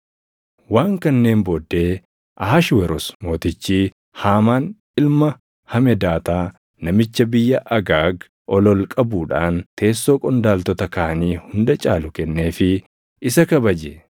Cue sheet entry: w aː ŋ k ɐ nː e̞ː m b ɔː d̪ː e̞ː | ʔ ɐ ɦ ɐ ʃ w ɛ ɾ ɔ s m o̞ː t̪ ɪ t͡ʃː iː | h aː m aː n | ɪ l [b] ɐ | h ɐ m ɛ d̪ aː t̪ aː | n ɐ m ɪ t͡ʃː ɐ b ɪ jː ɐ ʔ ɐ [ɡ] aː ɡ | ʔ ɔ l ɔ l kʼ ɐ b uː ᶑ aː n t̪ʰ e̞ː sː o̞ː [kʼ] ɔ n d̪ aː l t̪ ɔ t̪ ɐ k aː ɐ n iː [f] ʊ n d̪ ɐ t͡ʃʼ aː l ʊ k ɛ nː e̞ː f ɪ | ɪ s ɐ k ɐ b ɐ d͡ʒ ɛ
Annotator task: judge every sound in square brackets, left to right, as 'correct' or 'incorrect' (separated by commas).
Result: incorrect, correct, correct, incorrect